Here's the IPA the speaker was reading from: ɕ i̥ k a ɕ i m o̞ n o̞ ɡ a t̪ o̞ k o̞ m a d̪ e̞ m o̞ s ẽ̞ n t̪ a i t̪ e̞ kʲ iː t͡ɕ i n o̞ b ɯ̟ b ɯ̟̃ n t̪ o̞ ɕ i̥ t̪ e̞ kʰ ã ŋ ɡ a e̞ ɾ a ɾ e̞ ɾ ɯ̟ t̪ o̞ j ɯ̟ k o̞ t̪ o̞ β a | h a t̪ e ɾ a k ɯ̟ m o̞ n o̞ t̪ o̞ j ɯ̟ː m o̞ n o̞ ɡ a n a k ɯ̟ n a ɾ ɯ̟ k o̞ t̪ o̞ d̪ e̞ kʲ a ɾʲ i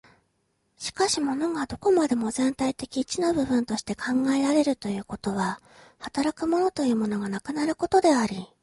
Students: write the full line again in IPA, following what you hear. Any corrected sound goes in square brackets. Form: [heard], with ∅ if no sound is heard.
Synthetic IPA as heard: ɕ i̥ k a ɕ i m o̞ n o̞ ɡ a [d̪] o̞ k o̞ m a d̪ e̞ m o̞ [z] ẽ̞ n t̪ a i t̪ e̞ kʲ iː t͡ɕ i n o̞ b ɯ̟ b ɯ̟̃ n t̪ o̞ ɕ i̥ t̪ e̞ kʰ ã ŋ ɡ a e̞ ɾ a ɾ e̞ ɾ ɯ̟ t̪ o̞ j [ɯ̟ː] k o̞ t̪ o̞ β a | h a t̪ [a] ɾ a k ɯ̟ m o̞ n o̞ t̪ o̞ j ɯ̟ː m o̞ n o̞ ɡ a n a k ɯ̟ n a ɾ ɯ̟ k o̞ t̪ o̞ d̪ e̞ [∅] a ɾʲ i